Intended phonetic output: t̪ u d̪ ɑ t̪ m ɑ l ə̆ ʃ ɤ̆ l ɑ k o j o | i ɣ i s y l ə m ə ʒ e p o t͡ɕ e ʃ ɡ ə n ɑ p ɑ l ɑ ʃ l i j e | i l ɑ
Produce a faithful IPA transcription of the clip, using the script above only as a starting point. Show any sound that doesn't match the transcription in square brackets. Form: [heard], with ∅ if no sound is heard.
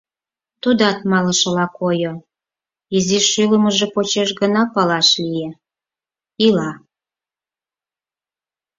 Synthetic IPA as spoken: t̪ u d̪ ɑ t̪ m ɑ l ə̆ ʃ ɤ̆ l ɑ k o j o | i [z] i [ʃ] y l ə m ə ʒ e p o t͡ɕ e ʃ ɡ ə n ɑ p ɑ l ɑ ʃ l i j e | i l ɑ